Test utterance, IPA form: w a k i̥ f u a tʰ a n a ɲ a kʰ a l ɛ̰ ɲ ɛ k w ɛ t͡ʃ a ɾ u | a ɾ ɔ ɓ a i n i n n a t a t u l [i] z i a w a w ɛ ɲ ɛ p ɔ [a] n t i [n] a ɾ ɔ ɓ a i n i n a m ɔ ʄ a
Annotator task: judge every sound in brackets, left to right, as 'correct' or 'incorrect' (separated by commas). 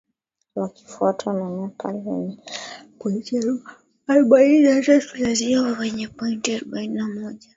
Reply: incorrect, incorrect, incorrect